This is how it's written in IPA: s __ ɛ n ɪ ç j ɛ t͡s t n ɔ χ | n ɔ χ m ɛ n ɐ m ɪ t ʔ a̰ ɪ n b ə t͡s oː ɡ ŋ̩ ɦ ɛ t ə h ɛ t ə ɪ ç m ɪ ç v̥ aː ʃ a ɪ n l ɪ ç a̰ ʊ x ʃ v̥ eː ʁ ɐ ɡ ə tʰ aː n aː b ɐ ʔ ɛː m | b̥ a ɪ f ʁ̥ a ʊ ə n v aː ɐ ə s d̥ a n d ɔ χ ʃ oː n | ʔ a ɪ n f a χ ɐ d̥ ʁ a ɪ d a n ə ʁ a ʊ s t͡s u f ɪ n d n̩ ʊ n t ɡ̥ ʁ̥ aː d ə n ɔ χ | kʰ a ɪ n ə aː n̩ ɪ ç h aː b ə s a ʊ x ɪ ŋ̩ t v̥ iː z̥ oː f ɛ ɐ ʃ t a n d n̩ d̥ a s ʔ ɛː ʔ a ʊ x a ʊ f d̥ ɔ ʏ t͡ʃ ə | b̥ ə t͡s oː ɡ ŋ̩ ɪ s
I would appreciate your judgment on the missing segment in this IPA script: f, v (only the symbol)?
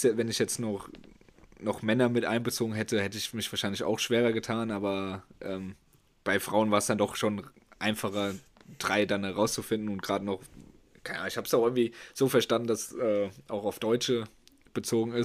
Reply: v